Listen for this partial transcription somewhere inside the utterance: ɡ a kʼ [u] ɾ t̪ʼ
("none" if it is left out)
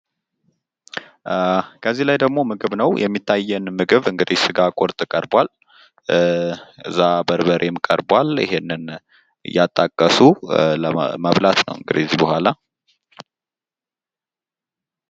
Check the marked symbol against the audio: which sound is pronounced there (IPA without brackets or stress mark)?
o